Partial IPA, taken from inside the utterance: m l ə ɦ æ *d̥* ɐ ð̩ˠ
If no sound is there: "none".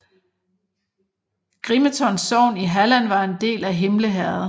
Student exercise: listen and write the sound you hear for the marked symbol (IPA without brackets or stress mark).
none